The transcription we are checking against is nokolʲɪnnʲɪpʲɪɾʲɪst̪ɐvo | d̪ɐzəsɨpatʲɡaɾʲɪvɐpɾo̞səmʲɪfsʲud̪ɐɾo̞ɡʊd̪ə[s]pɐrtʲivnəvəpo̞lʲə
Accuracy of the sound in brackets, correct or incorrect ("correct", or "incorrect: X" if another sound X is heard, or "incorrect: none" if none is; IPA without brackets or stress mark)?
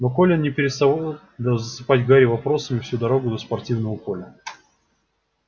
correct